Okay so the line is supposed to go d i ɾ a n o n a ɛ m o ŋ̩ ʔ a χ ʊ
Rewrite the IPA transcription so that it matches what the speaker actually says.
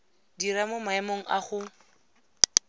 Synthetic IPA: d i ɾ a m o m a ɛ m o ŋ̩ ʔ a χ ʊ